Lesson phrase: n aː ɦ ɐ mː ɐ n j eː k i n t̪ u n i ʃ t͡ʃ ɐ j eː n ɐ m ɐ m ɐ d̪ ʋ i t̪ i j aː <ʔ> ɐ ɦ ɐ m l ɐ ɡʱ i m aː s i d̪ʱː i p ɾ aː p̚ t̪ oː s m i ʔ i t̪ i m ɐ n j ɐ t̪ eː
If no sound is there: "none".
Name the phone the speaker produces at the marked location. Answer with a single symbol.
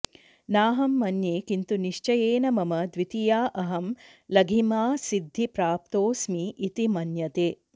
ʔ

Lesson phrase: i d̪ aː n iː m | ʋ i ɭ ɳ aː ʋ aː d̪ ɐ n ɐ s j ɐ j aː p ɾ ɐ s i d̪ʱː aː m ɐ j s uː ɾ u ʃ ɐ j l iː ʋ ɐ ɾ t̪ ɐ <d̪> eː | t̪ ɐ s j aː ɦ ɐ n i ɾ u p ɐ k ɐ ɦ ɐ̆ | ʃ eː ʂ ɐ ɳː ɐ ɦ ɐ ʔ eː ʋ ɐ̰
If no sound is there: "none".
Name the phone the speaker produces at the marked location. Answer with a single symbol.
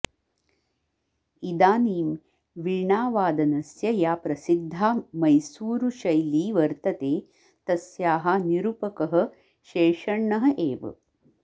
t̪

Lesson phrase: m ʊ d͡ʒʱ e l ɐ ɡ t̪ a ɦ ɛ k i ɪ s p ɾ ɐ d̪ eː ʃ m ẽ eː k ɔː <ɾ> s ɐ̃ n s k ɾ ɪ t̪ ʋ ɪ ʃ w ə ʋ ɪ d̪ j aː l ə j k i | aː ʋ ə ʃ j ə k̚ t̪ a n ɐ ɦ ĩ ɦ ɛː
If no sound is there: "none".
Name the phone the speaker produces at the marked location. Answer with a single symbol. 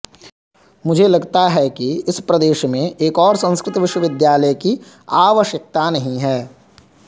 ɾ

